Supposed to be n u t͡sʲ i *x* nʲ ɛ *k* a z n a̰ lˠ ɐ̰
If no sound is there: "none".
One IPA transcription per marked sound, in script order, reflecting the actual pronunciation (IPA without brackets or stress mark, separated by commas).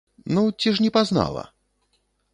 ʂ, p